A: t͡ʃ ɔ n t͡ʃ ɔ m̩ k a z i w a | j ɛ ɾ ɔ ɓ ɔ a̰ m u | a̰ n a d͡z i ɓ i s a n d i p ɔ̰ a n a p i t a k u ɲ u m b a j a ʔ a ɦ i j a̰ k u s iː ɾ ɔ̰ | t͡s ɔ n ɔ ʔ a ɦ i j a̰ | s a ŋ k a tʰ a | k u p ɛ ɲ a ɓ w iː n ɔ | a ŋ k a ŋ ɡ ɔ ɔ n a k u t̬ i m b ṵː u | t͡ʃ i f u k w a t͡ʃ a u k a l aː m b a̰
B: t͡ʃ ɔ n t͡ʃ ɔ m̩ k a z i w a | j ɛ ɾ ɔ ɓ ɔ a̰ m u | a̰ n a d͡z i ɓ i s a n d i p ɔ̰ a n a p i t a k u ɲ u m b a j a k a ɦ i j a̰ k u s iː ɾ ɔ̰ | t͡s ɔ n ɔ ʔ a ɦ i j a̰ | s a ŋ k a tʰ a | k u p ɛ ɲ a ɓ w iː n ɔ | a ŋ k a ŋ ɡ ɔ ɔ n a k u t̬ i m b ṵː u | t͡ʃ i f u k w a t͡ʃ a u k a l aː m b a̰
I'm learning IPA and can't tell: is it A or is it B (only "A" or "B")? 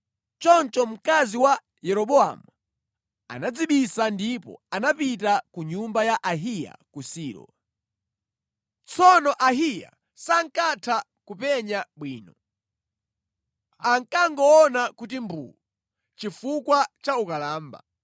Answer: A